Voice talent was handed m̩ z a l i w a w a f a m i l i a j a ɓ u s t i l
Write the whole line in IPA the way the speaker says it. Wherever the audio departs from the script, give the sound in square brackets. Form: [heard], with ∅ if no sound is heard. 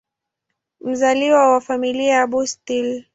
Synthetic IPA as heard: m̩ z a l i w a w a f a m i l i a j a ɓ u s t i l